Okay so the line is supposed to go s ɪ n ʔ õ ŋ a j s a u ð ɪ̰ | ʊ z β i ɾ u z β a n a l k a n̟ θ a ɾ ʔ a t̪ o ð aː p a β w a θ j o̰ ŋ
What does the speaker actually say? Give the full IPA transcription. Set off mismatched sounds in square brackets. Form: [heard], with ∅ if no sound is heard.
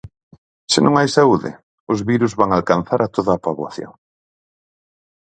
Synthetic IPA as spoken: s ɪ n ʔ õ ŋ a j s a u ð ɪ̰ | ʊ z β i ɾ u z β a [ŋ] a l k a n̟ θ a ɾ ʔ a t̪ o ð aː p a β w a θ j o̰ ŋ